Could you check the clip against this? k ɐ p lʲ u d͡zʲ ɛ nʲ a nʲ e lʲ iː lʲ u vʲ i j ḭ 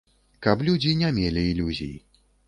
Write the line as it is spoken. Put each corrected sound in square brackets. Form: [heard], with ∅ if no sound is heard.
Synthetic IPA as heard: k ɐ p lʲ u d͡zʲ [i] nʲ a [mʲ] e lʲ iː lʲ u [zʲ] i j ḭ